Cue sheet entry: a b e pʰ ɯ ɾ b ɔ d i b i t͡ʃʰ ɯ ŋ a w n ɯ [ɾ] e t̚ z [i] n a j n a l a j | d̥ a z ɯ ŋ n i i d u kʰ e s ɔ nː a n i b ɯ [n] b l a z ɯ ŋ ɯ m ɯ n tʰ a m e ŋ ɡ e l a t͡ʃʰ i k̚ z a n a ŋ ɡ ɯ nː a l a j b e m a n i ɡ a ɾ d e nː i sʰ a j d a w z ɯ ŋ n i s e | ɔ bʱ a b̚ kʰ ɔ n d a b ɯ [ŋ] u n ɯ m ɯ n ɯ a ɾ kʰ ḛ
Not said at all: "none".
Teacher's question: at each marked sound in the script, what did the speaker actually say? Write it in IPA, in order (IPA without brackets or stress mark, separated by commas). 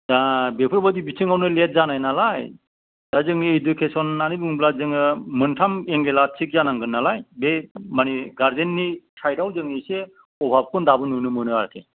l, a, ŋ, n